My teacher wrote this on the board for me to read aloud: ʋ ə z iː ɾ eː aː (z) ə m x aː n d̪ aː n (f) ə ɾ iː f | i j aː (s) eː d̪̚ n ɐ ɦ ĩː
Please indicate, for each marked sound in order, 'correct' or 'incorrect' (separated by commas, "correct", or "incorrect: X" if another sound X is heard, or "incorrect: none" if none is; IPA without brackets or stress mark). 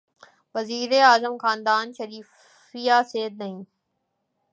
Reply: correct, incorrect: ʃ, correct